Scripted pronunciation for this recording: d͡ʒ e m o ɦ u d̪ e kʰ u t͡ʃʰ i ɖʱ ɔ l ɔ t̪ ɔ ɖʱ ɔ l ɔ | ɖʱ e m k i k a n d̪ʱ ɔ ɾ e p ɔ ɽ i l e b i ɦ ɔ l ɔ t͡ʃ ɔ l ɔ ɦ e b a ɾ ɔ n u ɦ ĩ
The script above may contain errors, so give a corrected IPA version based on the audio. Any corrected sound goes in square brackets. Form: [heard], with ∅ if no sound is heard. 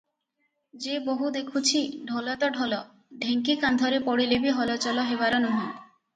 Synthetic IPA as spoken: d͡ʒ e [b] o ɦ u d̪ e kʰ u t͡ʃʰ i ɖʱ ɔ l ɔ t̪ ɔ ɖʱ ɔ l ɔ | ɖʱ e [ŋ] k i k a n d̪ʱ ɔ ɾ e p ɔ ɽ i l e b i ɦ ɔ l ɔ t͡ʃ ɔ l ɔ ɦ e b a ɾ ɔ n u ɦ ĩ